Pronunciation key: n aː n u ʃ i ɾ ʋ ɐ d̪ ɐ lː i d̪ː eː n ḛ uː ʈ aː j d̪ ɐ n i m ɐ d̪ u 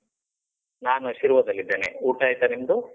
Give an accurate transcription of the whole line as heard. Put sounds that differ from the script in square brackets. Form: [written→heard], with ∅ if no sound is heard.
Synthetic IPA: n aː n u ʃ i ɾ ʋ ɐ d̪ ɐ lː i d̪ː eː n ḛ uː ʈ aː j [d̪→t̪] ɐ n i m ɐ d̪ u